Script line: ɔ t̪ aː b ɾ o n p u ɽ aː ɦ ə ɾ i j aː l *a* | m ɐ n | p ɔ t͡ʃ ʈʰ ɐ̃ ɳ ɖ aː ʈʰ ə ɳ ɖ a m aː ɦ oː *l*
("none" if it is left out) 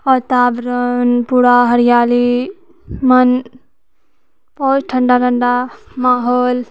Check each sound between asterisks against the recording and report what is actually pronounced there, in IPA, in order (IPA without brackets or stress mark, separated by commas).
i, l